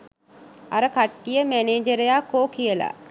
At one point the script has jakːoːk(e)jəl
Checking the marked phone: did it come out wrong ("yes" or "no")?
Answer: yes